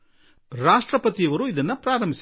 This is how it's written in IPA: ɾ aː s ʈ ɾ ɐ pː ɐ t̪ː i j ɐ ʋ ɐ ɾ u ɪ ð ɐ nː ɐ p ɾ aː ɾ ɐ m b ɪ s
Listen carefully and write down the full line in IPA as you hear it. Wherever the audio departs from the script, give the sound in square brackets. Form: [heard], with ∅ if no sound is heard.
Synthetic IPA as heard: ɾ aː [ʂ] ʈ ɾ ɐ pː ɐ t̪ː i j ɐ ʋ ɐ ɾ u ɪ ð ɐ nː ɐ p ɾ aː ɾ ɐ m b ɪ s